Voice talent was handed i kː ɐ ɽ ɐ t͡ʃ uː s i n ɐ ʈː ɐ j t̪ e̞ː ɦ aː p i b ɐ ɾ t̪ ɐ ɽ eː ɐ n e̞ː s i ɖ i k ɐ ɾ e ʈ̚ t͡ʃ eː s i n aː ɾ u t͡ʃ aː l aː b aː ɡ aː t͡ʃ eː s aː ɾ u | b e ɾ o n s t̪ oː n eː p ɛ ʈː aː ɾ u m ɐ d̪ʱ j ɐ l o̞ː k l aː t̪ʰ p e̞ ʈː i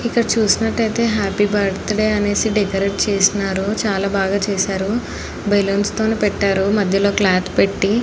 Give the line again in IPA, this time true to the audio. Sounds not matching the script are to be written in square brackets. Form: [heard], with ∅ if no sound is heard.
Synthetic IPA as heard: i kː ɐ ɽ ɐ t͡ʃ uː s i n ɐ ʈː ɐ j t̪ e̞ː ɦ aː p i b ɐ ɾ t̪ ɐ ɽ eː ɐ n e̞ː s i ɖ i k ɐ ɾ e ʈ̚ t͡ʃ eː s i n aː ɾ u t͡ʃ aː l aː b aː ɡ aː t͡ʃ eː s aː ɾ u | b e [l] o n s t̪ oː n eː p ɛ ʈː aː ɾ u m ɐ d̪ʱ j ɐ l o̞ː k l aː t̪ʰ p e̞ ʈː i